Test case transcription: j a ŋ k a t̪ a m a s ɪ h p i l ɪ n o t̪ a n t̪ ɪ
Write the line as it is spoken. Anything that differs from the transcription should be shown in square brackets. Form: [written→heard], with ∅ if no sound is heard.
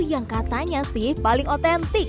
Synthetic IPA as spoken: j a ŋ k a t̪ a [m→ɲ] a s ɪ h p [i→a] l ɪ [n→ŋ] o t̪ [a→ɛ] n t̪ ɪ